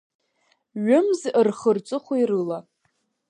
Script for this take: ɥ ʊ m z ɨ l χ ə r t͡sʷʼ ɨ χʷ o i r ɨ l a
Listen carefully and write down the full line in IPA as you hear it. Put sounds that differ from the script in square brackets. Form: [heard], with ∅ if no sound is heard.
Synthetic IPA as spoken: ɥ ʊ m z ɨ [r] χ ə r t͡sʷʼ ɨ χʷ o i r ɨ l a

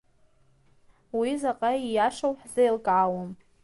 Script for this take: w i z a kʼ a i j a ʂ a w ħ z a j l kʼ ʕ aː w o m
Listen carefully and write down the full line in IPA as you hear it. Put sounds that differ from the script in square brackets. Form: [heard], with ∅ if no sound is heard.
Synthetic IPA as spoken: w i z a [qʼ] a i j a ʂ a w ħ z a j l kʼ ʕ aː w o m

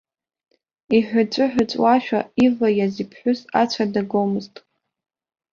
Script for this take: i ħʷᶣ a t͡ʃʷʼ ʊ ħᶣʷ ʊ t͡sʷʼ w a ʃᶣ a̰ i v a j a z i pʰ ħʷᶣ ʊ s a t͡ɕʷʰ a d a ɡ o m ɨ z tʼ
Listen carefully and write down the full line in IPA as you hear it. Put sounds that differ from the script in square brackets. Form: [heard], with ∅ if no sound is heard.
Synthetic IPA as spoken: i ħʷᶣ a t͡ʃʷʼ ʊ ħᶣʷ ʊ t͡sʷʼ w a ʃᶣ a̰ i v a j a z i pʰ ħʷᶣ ʊ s a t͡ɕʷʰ a d a ɡ o m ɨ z tʼ

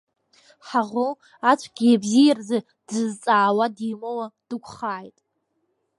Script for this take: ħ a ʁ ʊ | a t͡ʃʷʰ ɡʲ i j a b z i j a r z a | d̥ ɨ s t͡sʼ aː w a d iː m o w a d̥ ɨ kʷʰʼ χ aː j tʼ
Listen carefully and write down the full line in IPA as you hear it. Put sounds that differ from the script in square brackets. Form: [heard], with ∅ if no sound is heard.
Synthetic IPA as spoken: ħ a ʁ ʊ | a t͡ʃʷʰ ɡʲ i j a b z i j a r z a | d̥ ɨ [z] t͡sʼ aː w a d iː m o w a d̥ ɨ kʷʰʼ χ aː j tʼ

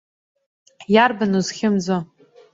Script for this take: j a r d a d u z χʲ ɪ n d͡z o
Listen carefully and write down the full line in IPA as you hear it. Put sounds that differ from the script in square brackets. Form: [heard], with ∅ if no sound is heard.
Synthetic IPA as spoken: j a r [b] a [n] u z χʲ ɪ [m] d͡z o

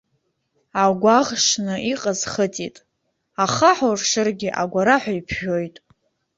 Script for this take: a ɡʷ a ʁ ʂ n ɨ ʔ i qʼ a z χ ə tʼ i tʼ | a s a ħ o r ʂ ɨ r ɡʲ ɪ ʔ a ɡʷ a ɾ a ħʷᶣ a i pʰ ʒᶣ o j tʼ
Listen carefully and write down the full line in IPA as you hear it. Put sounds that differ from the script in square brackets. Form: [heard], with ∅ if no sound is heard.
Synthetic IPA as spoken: a ɡʷ a ʁ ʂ n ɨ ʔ i qʼ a z χ ə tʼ i tʼ | a [χ] a ħ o r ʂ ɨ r ɡʲ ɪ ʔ a ɡʷ a ɾ a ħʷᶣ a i pʰ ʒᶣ o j tʼ

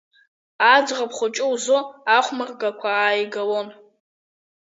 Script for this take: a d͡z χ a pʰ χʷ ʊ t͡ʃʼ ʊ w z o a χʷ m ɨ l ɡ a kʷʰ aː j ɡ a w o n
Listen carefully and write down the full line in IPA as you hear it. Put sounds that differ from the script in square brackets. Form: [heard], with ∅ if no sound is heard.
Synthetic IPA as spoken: a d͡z [ʁ] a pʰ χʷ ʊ t͡ʃʼ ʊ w z o a χʷ m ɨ [r] ɡ a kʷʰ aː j ɡ a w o n

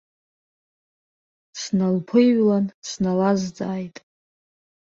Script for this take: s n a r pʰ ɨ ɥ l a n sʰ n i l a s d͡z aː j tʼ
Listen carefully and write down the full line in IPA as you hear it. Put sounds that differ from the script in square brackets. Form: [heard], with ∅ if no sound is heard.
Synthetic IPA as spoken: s n a [l] pʰ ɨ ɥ l a n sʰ n [a] l a [z] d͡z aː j tʼ

